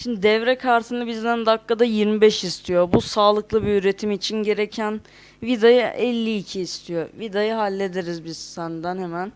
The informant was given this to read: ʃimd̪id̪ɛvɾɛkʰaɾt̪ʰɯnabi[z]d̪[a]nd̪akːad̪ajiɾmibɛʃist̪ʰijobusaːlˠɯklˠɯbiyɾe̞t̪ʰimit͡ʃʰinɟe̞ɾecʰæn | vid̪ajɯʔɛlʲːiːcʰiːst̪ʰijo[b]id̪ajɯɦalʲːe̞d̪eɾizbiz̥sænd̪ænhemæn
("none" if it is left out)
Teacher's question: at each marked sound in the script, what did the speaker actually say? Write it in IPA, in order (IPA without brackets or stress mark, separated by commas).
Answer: z, æ, v